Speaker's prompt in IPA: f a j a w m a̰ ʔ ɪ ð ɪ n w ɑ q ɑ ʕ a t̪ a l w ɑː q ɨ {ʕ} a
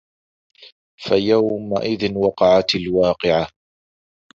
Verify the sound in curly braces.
correct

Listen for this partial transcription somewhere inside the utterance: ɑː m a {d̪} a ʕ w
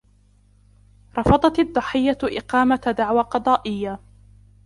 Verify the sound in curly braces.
correct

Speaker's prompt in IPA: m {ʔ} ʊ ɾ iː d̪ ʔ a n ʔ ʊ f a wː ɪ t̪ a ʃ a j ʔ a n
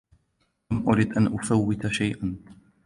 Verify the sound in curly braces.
correct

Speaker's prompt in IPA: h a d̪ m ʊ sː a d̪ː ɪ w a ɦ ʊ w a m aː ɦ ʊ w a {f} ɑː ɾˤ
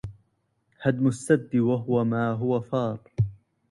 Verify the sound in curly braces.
correct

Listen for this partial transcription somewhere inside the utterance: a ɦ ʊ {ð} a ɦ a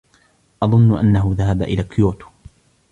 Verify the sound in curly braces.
correct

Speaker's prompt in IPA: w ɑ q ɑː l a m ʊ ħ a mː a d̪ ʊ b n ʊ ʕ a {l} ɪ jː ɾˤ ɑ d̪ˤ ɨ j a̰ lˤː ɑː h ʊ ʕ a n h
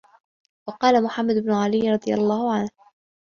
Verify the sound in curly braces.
correct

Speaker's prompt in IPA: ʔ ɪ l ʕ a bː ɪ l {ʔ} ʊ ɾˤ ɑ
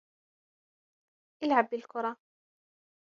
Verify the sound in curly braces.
incorrect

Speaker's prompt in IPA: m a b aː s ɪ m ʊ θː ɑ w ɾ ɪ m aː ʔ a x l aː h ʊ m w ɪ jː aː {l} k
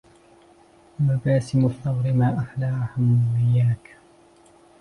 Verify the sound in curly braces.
incorrect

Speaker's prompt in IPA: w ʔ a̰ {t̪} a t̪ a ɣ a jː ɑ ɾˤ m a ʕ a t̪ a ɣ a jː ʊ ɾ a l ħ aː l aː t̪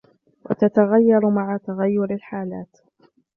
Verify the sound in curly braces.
correct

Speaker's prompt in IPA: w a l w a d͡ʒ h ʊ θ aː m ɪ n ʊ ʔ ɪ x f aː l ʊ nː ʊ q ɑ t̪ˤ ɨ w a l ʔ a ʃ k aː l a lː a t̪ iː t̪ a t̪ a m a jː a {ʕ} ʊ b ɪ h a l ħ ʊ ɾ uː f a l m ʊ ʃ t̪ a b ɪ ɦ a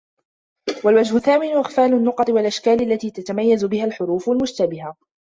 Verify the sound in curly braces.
incorrect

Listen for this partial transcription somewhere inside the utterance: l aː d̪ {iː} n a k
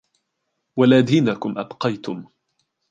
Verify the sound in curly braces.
correct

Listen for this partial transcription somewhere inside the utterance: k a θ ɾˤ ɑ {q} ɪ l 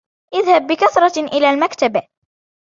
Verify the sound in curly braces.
incorrect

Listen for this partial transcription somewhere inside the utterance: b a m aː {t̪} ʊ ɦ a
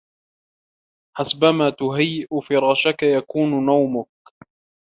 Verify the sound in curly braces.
correct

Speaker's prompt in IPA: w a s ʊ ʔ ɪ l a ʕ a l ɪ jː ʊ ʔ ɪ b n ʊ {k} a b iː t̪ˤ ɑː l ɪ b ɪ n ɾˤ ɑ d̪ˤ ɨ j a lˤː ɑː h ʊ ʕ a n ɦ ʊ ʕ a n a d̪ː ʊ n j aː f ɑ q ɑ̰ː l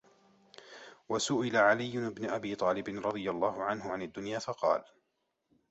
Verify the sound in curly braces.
incorrect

